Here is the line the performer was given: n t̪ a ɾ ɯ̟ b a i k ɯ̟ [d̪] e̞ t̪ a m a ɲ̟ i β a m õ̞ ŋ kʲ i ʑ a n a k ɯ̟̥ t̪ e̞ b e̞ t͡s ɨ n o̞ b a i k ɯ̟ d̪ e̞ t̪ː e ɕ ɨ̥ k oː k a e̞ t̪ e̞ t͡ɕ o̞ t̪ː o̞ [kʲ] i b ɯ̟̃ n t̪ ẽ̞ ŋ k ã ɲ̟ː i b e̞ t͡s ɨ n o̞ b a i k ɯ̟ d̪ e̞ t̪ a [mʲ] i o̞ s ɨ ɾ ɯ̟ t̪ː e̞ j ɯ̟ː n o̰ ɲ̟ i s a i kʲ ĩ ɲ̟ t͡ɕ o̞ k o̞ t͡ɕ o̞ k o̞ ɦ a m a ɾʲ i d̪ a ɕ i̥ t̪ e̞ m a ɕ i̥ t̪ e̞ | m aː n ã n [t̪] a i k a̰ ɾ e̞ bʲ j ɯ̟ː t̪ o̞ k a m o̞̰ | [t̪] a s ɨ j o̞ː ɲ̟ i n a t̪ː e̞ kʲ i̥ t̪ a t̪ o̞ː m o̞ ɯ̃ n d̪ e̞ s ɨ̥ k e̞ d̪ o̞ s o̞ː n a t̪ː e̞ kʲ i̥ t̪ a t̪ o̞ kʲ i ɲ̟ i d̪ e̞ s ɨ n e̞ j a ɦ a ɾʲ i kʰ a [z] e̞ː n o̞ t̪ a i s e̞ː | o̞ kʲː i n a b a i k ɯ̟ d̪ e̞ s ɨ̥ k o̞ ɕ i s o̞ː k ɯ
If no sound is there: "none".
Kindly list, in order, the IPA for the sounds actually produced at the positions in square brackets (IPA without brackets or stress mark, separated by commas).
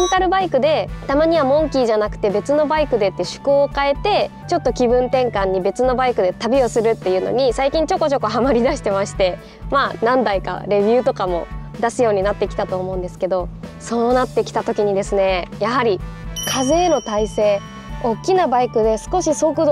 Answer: d̪, kʲ, bʲ, d̪, d̪, z